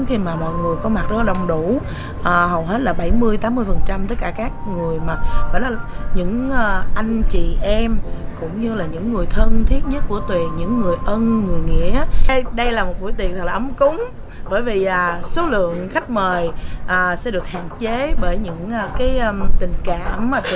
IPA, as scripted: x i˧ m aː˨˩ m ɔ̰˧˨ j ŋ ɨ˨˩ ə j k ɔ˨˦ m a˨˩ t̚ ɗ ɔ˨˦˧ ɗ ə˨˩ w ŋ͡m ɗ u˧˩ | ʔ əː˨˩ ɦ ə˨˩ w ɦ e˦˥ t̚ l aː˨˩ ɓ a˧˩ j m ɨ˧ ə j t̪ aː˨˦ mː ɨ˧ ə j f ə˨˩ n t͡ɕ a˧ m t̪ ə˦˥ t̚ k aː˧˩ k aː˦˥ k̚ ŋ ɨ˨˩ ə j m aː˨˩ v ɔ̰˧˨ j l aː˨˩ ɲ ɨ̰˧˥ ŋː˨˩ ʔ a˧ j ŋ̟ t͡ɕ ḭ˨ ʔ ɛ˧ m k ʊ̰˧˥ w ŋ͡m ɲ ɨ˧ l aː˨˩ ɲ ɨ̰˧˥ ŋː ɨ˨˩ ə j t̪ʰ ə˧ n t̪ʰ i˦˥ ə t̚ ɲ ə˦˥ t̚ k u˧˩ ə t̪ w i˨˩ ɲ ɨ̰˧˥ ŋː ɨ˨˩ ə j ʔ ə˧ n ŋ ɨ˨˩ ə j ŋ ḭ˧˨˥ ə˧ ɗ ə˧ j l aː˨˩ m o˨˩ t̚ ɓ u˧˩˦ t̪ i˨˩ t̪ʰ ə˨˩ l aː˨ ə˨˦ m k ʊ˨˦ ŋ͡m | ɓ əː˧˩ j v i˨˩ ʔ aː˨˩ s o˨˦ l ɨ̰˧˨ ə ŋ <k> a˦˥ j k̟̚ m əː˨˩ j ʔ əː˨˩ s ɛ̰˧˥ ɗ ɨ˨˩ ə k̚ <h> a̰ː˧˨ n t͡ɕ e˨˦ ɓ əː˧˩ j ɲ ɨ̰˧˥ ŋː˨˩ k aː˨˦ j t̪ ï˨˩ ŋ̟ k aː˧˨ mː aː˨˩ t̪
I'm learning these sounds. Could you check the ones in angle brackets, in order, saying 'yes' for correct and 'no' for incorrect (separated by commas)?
no, yes